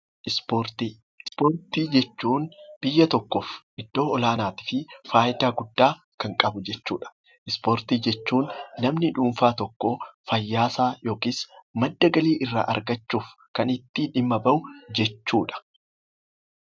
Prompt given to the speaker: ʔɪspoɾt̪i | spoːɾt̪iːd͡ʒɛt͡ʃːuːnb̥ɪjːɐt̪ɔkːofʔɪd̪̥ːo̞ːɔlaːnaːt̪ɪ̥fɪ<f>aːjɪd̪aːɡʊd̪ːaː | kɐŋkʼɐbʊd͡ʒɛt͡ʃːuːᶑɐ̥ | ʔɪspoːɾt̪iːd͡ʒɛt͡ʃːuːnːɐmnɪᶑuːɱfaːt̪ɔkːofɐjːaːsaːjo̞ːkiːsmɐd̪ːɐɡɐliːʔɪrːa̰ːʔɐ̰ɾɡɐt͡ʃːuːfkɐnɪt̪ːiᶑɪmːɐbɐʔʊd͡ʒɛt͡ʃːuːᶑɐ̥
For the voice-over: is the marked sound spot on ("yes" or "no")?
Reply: yes